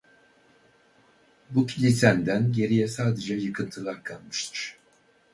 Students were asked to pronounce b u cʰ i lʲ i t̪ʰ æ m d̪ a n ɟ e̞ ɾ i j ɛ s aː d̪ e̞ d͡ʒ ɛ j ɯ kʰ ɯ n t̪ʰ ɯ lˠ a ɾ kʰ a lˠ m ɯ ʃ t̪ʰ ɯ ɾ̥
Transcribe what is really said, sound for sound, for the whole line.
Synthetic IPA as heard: b u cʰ i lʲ i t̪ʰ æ n d̪ æ n ɟ e̞ ɾ i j ɛ s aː d̪ e̞ d͡ʒ ɛ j ɯ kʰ ɯ n t̪ʰ ɯ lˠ a ɾ kʰ a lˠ m ɯ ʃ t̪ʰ ɯ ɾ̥